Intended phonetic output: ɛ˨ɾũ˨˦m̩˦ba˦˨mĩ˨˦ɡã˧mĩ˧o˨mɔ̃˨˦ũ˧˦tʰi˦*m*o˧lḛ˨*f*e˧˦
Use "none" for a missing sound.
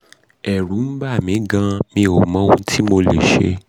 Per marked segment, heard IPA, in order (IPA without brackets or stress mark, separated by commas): m, ʃ